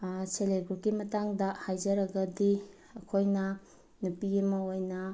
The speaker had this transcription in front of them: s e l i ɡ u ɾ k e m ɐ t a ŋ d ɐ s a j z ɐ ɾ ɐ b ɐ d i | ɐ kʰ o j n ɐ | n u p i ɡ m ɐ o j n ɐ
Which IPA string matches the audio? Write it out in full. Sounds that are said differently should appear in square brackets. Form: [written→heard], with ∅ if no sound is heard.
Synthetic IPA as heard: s e l [i→e] ɡ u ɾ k [e→i] m ɐ t a ŋ d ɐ [s→h] a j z ɐ ɾ ɐ [b→ɡ] ɐ d i | ɐ kʰ o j n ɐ | n u p i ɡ m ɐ o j n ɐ